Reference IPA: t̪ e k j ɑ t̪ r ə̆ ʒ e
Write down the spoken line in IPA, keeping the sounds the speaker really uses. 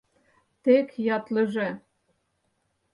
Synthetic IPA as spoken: t̪ e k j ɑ t̪ l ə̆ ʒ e